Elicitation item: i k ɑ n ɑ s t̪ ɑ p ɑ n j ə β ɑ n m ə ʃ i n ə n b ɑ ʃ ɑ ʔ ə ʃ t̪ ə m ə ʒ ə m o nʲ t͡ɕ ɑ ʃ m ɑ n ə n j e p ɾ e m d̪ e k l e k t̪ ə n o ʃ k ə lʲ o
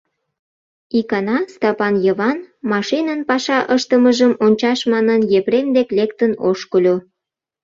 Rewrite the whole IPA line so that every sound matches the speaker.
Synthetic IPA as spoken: i k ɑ n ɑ s t̪ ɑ p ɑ n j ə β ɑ n m ɑ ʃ i n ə n p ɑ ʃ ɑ ʔ ə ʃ t̪ ə m ə ʒ ə m o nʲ t͡ɕ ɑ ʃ m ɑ n ə n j e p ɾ e m d̪ e k l e k t̪ ə n o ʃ k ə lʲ o